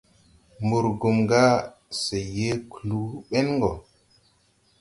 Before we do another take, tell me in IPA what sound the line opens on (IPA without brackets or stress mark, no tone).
m